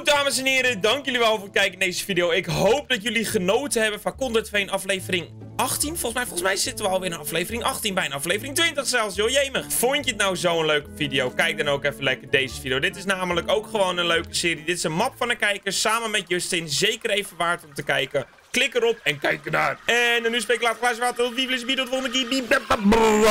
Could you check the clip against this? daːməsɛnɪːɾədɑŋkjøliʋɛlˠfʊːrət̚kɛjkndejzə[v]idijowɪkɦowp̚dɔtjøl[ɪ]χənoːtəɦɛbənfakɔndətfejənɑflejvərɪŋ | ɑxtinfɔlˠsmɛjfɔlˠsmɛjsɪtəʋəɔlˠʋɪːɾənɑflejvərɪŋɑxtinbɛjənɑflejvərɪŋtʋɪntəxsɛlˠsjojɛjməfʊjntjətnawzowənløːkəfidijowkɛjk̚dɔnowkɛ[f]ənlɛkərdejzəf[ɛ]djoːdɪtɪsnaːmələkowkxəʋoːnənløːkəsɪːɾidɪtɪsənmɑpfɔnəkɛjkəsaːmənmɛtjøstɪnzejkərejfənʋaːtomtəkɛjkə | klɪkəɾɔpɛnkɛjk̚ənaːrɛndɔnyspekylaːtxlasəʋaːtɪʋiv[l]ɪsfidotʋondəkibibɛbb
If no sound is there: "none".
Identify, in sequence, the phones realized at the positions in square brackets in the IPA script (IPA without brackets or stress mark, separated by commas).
f, i, f, i, l